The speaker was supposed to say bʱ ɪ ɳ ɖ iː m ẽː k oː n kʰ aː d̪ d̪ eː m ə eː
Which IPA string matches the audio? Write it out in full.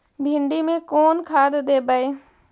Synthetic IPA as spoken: bʱ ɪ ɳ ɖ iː m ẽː k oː n kʰ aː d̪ d̪ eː b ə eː